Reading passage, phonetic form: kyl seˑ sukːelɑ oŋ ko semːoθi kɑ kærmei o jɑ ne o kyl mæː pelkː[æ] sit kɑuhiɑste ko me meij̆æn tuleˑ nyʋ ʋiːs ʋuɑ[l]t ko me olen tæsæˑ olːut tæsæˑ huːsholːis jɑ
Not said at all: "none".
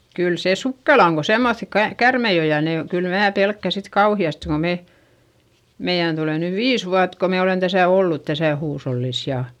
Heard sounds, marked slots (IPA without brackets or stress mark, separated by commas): æ, none